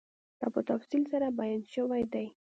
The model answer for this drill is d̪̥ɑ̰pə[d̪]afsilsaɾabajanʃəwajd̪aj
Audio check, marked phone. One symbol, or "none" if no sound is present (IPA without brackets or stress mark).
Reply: t̪